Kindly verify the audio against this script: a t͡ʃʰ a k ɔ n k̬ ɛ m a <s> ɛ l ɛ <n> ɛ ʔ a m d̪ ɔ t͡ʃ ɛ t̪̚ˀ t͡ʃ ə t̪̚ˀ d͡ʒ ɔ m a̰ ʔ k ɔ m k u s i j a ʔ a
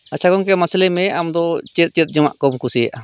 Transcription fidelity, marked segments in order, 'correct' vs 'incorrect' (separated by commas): correct, incorrect